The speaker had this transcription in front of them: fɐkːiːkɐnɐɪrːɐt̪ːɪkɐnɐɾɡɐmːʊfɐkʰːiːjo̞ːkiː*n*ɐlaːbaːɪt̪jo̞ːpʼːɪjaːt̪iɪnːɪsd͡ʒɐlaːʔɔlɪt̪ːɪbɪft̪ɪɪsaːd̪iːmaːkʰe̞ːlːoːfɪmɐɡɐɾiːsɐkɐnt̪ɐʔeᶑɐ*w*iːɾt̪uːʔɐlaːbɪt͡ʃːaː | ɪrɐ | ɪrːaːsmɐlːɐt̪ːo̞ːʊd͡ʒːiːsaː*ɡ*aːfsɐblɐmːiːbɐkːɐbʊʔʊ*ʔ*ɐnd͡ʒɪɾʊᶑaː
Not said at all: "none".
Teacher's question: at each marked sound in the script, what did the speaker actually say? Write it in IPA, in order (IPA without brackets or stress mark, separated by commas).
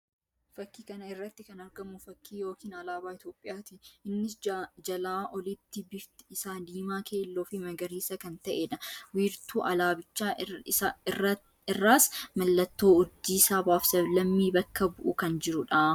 n, w, b, k